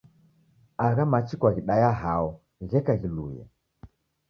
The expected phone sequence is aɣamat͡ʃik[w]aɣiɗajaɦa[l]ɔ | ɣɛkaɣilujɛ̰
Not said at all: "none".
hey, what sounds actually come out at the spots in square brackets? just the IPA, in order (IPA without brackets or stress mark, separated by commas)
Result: w, none